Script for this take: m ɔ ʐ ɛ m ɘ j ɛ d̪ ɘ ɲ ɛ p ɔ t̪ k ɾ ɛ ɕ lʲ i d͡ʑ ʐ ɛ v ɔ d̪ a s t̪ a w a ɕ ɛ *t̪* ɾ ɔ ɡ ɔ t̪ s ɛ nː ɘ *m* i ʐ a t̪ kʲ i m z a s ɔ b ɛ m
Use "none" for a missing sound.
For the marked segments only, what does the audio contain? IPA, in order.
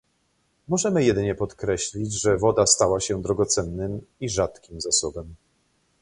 d̪, m

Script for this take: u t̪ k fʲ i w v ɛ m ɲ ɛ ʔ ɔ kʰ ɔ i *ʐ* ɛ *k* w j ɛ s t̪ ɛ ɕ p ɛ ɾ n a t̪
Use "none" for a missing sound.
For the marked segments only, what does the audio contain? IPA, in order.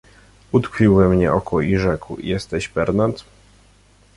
ʐ, k

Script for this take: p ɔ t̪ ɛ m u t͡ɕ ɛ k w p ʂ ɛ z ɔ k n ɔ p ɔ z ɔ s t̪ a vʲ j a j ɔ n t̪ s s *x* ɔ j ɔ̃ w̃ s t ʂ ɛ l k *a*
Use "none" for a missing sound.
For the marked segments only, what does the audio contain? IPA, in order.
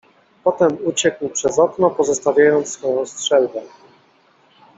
f, ɛ

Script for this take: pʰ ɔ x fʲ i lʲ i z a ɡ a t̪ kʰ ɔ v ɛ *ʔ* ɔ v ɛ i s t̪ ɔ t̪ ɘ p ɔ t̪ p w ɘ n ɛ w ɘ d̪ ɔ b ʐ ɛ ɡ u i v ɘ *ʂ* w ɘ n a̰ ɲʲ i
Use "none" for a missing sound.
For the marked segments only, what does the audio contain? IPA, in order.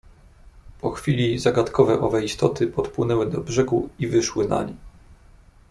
ʔ, ʂ

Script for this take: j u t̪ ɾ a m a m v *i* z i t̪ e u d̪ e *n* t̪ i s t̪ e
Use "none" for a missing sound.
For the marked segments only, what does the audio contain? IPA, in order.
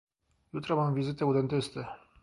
i, n

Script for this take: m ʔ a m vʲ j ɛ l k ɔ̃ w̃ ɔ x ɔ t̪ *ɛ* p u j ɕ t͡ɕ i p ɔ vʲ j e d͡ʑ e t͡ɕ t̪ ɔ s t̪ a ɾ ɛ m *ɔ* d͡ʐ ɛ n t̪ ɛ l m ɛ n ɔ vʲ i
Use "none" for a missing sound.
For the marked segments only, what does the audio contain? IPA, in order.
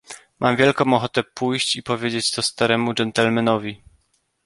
ɛ, u

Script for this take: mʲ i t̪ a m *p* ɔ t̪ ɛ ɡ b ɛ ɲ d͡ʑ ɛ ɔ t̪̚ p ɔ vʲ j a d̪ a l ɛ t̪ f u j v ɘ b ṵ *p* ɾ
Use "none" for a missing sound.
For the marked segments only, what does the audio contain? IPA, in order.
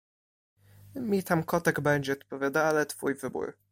k, none

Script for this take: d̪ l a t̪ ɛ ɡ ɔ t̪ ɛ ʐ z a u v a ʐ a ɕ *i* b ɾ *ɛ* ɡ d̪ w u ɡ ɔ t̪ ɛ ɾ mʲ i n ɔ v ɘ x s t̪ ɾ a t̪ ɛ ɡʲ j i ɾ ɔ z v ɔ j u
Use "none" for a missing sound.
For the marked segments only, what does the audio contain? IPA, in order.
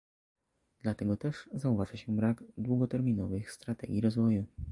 ɛ, a

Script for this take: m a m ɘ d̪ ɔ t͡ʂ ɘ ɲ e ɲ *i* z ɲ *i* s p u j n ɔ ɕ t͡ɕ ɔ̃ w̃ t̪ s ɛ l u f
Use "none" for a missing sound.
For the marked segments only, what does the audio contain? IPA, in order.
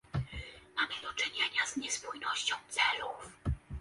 a, ɛ

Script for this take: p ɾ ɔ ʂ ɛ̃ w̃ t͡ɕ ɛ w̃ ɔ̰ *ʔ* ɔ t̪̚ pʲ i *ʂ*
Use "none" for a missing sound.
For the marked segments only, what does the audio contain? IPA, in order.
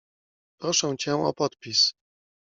p, s

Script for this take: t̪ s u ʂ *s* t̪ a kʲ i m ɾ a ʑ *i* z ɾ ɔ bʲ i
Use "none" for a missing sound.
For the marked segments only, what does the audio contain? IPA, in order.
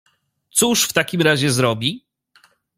f, ɛ

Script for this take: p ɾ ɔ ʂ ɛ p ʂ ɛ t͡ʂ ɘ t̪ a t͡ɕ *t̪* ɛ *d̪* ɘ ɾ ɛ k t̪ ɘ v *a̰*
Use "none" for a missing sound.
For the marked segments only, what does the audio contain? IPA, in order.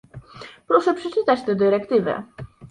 t̪, d̪, ɛ̰

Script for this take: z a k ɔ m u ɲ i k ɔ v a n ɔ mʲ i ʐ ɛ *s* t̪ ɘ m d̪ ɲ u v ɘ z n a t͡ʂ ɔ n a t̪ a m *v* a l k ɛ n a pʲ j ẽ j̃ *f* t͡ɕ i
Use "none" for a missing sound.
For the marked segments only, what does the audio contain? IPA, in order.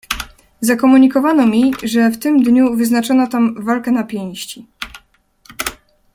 f, v, ɕ

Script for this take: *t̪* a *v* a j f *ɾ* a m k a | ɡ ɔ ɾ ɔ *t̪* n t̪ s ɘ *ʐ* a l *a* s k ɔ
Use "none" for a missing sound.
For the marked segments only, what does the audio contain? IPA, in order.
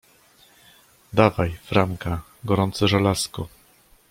d̪, v, ɾ, none, ʐ, a

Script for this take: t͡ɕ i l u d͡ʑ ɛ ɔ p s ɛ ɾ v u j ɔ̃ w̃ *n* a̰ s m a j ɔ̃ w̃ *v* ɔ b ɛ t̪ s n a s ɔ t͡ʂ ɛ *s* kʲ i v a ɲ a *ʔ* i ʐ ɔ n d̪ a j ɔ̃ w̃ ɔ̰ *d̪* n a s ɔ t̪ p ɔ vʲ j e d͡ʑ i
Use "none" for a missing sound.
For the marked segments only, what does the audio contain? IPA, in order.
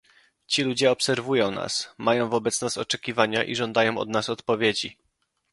n, v, none, ʔ, d̪

